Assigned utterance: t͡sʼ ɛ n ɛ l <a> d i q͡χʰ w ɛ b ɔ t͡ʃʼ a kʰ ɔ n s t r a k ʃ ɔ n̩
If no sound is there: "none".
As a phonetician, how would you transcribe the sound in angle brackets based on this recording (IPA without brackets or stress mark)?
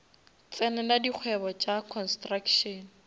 a